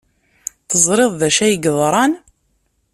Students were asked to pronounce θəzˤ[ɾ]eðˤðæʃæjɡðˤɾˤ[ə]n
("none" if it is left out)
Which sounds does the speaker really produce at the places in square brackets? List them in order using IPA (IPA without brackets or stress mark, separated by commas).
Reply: ɾ, ɑ